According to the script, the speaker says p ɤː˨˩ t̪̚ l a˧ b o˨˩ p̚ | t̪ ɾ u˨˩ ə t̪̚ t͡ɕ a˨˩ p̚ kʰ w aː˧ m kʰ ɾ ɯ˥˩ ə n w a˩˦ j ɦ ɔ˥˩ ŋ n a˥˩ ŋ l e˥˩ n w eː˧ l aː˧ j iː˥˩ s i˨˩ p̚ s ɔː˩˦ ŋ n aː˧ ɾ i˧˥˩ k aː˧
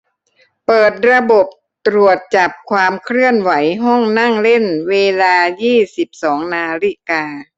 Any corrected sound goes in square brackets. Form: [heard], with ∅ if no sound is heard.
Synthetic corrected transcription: p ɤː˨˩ t̪̚ [ɾ] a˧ b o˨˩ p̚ | t̪ ɾ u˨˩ ə t̪̚ t͡ɕ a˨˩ p̚ kʰ w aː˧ m kʰ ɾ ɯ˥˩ ə n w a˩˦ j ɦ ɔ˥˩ ŋ n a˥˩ ŋ l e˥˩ n w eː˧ l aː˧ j iː˥˩ s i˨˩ p̚ s ɔː˩˦ ŋ n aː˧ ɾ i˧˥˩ k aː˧